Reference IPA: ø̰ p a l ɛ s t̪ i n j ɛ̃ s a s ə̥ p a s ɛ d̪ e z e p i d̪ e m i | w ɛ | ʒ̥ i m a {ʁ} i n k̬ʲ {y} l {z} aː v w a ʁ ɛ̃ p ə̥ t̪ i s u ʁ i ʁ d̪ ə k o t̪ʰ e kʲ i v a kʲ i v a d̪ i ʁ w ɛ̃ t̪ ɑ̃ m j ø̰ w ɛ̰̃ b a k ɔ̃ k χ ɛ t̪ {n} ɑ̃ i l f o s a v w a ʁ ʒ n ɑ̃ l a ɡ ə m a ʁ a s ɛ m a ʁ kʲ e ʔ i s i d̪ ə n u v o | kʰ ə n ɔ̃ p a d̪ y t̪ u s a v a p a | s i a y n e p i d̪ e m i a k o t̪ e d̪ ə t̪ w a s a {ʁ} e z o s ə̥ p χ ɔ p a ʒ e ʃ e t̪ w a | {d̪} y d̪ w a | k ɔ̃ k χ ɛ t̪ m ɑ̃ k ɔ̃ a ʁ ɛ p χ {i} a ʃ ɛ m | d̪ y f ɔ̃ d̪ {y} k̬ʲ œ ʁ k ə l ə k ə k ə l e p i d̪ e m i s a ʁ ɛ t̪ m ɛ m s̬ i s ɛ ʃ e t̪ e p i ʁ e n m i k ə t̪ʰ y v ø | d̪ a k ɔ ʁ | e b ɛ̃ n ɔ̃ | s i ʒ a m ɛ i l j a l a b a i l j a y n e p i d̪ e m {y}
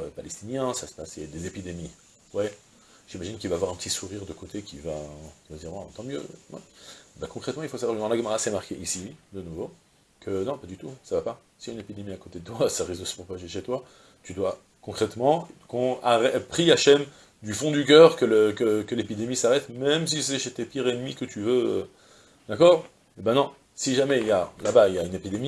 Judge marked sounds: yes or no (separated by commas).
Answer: no, no, no, no, yes, no, yes, yes, no